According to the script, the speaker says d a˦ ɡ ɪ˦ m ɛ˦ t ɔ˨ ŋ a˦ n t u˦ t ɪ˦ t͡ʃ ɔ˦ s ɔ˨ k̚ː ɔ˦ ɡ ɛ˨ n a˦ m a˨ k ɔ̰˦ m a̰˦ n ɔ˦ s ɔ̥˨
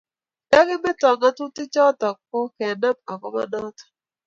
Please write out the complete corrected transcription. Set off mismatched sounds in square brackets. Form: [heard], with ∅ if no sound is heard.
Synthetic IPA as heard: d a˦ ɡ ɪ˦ m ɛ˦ t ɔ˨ ŋ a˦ [∅] t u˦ t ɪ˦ t͡ʃ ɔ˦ [t] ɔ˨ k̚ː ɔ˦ [k] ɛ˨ n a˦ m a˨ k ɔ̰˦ m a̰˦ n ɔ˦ [t] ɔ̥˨